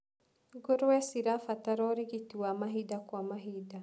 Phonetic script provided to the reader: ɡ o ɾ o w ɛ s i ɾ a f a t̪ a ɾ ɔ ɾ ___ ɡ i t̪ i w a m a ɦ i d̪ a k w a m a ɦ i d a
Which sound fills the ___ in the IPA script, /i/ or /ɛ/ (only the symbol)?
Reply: i